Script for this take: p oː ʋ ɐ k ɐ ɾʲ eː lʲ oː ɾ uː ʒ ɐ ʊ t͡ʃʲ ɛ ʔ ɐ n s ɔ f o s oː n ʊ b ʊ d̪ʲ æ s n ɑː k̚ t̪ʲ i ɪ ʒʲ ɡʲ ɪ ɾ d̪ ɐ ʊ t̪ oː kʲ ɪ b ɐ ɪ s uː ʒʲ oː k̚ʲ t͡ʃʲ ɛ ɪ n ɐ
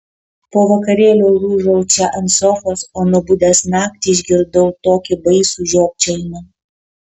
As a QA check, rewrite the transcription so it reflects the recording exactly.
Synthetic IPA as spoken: p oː ʋ ɐ k ɐ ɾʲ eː lʲ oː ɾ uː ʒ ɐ ʊ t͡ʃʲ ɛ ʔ ɐ n s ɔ f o s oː n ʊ b ʊ d̪ʲ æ s n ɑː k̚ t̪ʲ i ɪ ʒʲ ɡʲ ɪ ɾ d̪ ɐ ʊ t̪ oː kʲ ɪ b ɐ ɪ s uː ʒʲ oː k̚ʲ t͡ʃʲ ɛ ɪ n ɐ